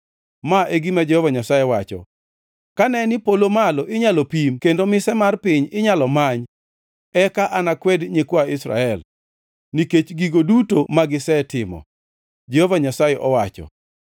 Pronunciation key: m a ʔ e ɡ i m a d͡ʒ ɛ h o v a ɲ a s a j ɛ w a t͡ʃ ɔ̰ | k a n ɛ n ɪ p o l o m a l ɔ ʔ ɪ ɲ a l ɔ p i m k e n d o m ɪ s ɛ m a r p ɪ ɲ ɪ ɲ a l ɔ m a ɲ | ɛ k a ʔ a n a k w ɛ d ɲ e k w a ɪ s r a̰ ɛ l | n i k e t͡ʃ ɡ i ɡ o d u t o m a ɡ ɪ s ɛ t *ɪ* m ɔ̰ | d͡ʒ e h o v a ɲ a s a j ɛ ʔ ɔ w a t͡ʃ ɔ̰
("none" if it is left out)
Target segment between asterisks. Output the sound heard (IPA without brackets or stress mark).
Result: ɪ